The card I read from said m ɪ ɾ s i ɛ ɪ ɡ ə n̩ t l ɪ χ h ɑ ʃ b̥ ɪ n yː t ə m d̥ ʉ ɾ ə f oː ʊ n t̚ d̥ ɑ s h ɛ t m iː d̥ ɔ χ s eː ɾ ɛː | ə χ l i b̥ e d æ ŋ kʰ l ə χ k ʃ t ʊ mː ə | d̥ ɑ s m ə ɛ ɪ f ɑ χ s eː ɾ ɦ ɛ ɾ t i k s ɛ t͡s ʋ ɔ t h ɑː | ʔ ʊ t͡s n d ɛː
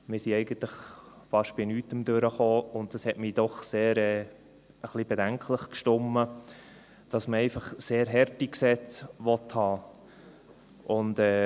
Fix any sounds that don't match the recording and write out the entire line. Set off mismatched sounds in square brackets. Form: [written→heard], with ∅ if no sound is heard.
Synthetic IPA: m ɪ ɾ s i ɛ ɪ ɡ ə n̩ t l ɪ χ [h→f] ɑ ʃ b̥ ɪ n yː t ə m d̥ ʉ ɾ ə [f→χ] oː ʊ n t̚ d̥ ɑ s h ɛ t m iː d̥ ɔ χ s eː ɾ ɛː | ə χ l i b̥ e d æ ŋ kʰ l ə χ k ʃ t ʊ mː ə | d̥ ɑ s m ə ɛ ɪ f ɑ χ s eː ɾ ɦ ɛ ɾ t i k s ɛ t͡s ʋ ɔ t h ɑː | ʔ ʊ [t͡s→∅] n d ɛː